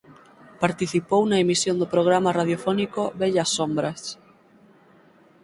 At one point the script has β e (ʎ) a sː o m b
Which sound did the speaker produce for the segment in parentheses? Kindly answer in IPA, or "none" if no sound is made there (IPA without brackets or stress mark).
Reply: ʎ